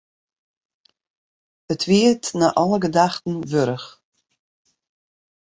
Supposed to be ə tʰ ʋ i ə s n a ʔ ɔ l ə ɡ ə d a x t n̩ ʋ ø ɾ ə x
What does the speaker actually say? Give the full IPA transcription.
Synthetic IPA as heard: ə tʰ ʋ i ə t n a ʔ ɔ l ə ɡ ə d a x t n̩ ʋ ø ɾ ə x